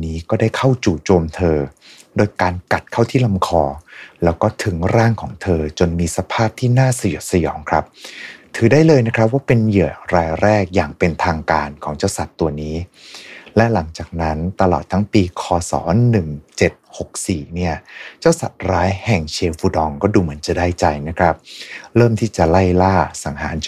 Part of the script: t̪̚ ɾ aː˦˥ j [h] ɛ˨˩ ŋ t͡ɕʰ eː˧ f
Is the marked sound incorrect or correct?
correct